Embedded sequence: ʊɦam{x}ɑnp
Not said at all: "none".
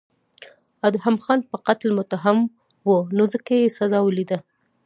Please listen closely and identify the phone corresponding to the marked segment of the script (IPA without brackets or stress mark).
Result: x